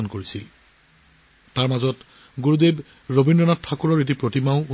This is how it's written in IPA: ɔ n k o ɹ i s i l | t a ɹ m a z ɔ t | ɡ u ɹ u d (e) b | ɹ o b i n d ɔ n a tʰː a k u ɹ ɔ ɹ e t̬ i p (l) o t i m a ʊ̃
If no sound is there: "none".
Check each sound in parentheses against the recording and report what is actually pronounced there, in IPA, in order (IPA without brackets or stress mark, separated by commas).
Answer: e, ɹ